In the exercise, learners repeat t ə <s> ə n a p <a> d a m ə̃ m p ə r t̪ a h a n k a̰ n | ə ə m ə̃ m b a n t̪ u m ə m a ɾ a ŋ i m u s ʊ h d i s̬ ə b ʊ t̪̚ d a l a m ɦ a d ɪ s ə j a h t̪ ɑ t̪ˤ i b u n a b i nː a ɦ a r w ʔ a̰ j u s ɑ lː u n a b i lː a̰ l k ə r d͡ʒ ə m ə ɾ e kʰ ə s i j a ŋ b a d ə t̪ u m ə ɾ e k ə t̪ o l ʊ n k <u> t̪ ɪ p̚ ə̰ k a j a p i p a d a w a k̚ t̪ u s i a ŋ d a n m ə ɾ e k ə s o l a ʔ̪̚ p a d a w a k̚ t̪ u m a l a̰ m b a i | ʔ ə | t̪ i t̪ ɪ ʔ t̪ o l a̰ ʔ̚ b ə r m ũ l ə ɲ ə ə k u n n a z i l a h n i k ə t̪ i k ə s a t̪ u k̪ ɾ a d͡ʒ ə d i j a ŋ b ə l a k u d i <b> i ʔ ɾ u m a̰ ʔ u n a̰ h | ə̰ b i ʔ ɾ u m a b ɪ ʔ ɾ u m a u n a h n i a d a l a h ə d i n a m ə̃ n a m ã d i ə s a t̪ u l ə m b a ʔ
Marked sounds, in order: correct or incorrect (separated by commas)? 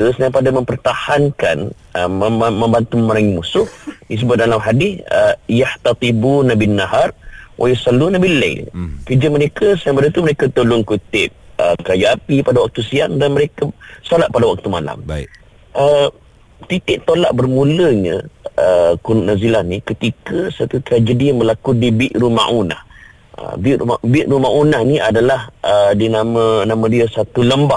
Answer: correct, correct, correct, correct